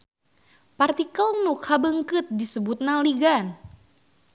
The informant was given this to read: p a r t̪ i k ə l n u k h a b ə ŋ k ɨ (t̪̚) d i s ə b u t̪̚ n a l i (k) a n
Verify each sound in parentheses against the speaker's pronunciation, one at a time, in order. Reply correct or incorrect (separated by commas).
correct, incorrect